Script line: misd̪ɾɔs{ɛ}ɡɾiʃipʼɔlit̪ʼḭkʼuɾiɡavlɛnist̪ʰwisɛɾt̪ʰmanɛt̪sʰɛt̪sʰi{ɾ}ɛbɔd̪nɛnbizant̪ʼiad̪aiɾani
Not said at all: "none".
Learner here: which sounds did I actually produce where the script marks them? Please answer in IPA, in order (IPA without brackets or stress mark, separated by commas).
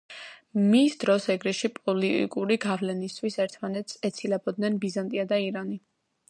ɛ, l